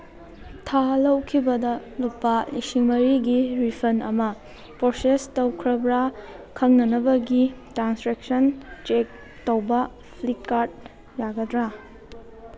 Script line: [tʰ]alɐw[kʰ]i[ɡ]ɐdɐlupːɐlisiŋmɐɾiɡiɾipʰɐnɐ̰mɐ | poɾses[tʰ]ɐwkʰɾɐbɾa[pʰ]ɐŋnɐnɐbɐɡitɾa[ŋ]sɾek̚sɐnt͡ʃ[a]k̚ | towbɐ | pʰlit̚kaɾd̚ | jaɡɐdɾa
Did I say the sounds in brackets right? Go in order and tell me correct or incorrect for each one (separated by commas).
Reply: correct, correct, incorrect, incorrect, incorrect, incorrect, incorrect